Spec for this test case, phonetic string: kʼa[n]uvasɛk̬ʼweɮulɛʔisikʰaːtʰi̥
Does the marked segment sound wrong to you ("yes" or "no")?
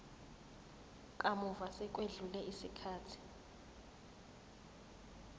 yes